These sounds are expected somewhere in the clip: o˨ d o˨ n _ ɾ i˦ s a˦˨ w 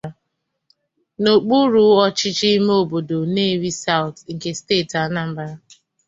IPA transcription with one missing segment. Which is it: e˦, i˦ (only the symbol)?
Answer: e˦